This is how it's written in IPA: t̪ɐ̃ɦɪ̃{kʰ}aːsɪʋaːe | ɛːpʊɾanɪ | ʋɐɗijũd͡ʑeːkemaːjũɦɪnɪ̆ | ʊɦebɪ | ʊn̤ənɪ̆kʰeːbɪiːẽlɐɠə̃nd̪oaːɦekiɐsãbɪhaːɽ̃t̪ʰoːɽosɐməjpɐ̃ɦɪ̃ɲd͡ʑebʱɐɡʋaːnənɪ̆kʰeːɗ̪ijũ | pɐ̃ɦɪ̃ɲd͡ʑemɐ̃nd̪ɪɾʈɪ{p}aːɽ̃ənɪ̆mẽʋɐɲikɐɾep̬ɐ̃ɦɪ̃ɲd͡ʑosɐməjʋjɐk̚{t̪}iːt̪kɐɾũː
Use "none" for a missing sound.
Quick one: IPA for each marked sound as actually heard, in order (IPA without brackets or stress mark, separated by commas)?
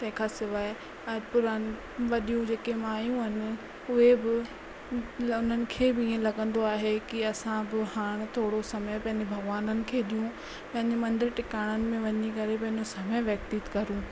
kʰ, k, t̪